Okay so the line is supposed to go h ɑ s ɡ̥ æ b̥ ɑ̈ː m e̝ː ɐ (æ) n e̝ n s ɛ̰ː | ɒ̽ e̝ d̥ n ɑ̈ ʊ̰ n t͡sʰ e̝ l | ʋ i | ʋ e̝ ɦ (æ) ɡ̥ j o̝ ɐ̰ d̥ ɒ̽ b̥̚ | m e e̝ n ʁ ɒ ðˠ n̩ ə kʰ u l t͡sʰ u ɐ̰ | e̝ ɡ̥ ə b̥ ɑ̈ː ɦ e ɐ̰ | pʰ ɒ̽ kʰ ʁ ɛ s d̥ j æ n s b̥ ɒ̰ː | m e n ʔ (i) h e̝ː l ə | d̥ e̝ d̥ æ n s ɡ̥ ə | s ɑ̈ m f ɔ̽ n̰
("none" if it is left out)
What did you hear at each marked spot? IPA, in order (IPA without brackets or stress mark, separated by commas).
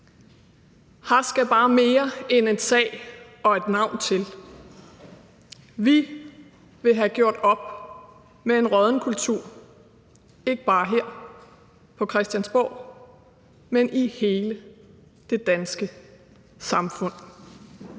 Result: e, æ, i